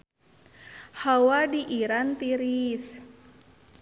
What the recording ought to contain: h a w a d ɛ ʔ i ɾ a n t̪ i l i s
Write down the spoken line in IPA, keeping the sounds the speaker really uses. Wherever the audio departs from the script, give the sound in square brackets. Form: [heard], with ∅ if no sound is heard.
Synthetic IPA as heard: h a w a d [i] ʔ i ɾ a n t̪ i [ɾ] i s